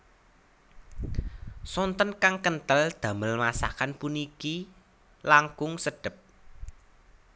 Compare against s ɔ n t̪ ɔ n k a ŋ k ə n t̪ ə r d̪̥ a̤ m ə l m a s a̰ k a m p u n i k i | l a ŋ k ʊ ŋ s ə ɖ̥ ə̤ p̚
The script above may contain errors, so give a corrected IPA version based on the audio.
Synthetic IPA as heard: s ɔ n t̪ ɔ n k a ŋ k ə n t̪ ə l d̪̥ a̤ m ə l m a s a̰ k a n p u n i k i | l a ŋ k ʊ ŋ s ə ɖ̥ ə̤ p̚